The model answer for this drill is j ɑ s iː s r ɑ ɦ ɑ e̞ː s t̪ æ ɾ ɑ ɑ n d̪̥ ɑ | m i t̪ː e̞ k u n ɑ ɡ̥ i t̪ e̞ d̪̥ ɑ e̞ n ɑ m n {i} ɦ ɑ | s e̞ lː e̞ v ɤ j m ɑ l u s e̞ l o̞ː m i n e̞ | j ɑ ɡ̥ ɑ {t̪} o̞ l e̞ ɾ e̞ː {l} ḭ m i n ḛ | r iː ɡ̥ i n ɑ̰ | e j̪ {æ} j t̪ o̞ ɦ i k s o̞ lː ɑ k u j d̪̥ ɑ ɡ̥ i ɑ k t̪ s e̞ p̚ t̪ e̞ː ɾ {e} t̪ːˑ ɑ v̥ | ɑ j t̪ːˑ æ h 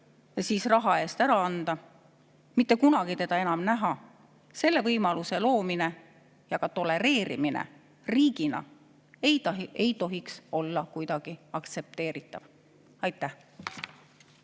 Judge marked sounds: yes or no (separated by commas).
no, yes, no, no, no